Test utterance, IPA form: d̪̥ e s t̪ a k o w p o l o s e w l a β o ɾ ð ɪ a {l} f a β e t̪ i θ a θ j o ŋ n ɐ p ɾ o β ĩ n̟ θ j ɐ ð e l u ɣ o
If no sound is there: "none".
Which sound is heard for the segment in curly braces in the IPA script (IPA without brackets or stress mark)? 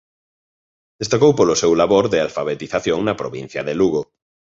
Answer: l